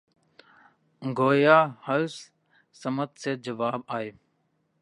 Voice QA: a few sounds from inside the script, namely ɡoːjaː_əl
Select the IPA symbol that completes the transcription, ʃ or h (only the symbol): h